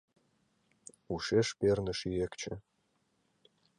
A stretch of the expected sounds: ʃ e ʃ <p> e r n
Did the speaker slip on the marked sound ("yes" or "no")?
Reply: no